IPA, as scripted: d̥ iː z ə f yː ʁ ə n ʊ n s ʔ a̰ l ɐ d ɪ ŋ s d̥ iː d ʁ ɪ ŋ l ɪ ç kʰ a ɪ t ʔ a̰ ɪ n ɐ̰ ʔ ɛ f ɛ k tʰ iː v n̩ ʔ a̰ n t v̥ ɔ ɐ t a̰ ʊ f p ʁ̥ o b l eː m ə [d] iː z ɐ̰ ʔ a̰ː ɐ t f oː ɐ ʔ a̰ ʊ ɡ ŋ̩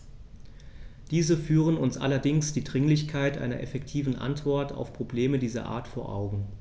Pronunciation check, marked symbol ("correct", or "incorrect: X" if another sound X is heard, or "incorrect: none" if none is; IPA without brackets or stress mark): correct